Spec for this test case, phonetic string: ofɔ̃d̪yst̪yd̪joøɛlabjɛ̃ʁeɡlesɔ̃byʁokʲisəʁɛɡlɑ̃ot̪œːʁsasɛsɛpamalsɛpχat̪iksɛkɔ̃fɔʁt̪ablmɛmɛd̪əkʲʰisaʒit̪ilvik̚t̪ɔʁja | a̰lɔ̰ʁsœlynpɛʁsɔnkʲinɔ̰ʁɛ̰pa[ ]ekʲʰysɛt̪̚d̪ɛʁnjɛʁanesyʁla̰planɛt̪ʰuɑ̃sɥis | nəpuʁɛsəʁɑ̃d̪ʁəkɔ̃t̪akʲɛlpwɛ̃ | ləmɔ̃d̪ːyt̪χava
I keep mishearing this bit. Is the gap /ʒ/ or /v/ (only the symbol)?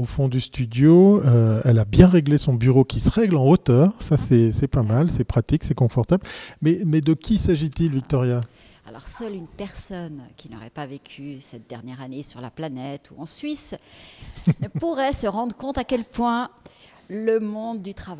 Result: v